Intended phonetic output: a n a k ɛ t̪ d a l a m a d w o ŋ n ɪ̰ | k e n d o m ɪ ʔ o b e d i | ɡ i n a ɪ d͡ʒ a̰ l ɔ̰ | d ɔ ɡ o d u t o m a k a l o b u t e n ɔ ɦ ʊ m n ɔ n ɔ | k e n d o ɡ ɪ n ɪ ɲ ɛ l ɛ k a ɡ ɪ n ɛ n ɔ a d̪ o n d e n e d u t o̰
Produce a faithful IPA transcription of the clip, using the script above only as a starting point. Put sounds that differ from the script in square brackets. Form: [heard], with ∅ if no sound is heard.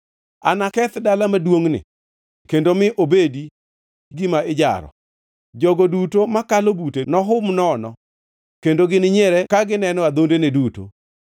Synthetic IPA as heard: a n a k ɛ t̪ d a l a m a d w o ŋ n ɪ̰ | k e n d o m ɪ ʔ o b e d i | ɡ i [m] a ɪ d͡ʒ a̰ [ɾ] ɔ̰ | [d͡ʒ] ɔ ɡ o d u t o m a k a l o b u t e n ɔ ɦ ʊ m n ɔ n ɔ | k e n d o ɡ ɪ n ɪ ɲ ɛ [ɾ] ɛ k a ɡ ɪ n ɛ n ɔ a d̪ o n d e n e d u t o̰

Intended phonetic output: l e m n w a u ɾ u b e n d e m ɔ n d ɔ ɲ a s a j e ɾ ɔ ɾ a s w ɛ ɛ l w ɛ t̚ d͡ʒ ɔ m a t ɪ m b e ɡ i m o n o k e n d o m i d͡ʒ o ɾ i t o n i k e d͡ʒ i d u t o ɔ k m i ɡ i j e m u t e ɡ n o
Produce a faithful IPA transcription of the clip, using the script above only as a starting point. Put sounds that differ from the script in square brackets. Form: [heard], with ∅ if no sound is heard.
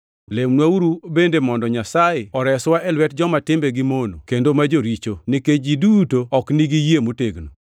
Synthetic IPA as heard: l e m n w a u ɾ u b e n d e m ɔ n d ɔ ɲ a s a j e [∅] ɔ ɾ [ɛ] s w [a] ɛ l w ɛ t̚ d͡ʒ ɔ m a t ɪ m b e ɡ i m o n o k e n d o m [a] d͡ʒ o ɾ i [t͡ʃ] o n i k e d͡ʒ i d u t o ɔ k [n] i ɡ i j e m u t e ɡ n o

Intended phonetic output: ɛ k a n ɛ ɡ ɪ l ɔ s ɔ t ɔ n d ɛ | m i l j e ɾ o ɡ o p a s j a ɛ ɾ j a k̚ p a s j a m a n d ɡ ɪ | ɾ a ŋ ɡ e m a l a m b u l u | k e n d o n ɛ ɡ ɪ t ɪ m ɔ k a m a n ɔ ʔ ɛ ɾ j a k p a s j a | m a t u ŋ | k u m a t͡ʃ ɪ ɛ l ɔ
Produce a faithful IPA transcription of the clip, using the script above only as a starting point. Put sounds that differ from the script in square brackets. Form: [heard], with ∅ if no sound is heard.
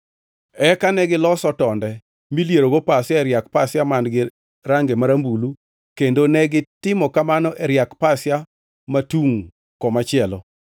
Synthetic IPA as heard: ɛ k a n ɛ ɡ ɪ l ɔ s ɔ t ɔ n d ɛ | m i l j e ɾ o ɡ o p a s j a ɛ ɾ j a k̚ p a s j a m a n d ɡ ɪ | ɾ a ŋ ɡ e m a [ɾ] a m b u l u | k e n d o n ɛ ɡ ɪ t ɪ m ɔ k a m a n ɔ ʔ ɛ ɾ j a k p a s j a | m a t u ŋ | k [ɔ] m a t͡ʃ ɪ ɛ l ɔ

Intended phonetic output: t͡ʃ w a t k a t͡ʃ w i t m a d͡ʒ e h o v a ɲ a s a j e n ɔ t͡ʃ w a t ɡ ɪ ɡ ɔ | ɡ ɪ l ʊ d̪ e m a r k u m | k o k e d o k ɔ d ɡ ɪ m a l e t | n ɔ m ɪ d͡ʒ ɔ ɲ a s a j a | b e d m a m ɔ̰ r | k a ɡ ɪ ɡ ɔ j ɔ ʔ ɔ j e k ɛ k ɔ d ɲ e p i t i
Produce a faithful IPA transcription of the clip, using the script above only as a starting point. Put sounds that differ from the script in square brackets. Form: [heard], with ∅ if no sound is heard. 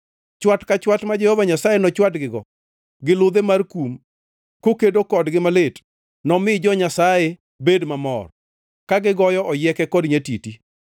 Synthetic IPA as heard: t͡ʃ w a t k a t͡ʃ w [a] t m a d͡ʒ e h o v a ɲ a s a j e n ɔ t͡ʃ w a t ɡ ɪ ɡ ɔ | ɡ ɪ l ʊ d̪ e m a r k u m | k o k e d o k ɔ d ɡ ɪ m a l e t | n ɔ m ɪ d͡ʒ ɔ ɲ a s a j [e] | b e d m a m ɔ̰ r | k a ɡ ɪ ɡ ɔ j ɔ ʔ ɔ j [ɛ] k ɛ k ɔ d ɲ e [t] i t i

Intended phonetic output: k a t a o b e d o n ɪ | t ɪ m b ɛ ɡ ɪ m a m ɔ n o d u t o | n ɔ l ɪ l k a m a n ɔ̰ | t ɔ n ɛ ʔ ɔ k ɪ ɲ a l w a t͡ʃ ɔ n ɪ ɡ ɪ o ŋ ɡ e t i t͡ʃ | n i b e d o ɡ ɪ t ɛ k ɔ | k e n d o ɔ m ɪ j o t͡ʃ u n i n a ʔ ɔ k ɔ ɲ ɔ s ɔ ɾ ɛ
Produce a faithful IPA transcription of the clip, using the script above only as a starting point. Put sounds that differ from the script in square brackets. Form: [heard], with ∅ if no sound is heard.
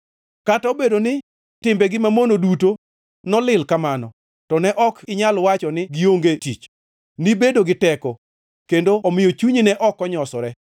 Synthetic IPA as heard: k a t a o b e d o n ɪ | t ɪ m b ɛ ɡ ɪ m a m [o] n o d u t o | n ɔ l ɪ l k a m a n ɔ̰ | t ɔ n ɛ ʔ ɔ k ɪ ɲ a l w a t͡ʃ ɔ n ɪ ɡ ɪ o ŋ ɡ e t i t͡ʃ | n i b e d o ɡ ɪ t ɛ k ɔ | k e n d o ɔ m ɪ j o t͡ʃ u [ɲ] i n [ɛ] ʔ ɔ k ɔ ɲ ɔ s ɔ ɾ ɛ

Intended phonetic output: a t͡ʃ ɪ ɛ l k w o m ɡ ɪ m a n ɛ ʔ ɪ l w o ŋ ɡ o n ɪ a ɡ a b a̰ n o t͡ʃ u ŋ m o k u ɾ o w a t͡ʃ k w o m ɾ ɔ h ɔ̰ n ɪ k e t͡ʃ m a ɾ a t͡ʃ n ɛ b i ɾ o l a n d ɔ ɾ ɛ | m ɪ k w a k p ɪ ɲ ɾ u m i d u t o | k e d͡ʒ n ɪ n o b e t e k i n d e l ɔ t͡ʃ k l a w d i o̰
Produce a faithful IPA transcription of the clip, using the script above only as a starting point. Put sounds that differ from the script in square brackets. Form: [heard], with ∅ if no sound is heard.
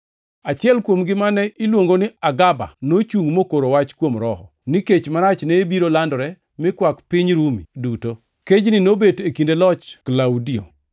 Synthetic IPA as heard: a t͡ʃ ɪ ɛ l k w o m ɡ ɪ m a n ɛ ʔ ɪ l w o ŋ ɡ o n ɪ a ɡ a b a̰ n o t͡ʃ u ŋ m o k [o] ɾ o w a t͡ʃ k w o m ɾ ɔ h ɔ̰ n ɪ k e t͡ʃ m a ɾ a t͡ʃ n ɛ b i ɾ o l a n d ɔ ɾ ɛ | m ɪ k w a k p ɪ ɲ ɾ u m i d u t o | k e d͡ʒ n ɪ n o b e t e k i n d e l ɔ t͡ʃ k l a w d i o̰

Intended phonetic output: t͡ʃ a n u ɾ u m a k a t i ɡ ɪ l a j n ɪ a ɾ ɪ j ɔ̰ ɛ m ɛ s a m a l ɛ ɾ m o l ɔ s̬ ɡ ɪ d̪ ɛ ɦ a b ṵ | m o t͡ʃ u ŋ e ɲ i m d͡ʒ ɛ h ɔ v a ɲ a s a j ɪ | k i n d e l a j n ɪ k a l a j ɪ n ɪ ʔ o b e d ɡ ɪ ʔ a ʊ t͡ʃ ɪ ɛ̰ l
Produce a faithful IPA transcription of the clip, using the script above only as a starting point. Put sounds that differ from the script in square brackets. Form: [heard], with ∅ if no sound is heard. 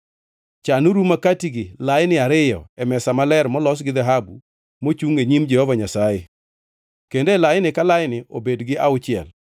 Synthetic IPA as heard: t͡ʃ a n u ɾ u m a k a t i ɡ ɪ l a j n ɪ a ɾ ɪ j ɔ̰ ɛ m ɛ s a m a l ɛ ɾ m [ɔ] l ɔ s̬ ɡ ɪ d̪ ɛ ɦ a b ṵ | m o t͡ʃ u ŋ e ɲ i m d͡ʒ ɛ h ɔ v a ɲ a s a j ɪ | k [e] n d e l a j n ɪ k a l a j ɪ n ɪ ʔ o b e d ɡ ɪ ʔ a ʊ t͡ʃ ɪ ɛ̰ l

